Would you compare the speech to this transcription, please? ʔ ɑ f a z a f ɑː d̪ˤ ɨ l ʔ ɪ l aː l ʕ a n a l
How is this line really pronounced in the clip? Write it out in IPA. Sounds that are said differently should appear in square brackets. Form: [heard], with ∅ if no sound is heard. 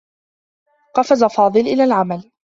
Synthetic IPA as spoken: [q] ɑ f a z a f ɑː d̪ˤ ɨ l ʔ ɪ l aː l ʕ a [m] a l